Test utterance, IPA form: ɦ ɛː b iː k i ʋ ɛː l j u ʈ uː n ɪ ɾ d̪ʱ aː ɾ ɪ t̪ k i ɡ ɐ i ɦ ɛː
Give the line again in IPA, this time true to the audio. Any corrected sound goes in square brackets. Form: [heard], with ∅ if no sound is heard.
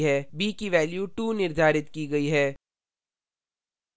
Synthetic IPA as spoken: ɦ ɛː b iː k i ʋ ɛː l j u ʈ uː n ɪ ɾ d̪ʱ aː ɾ ɪ t̪ k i ɡ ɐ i ɦ ɛː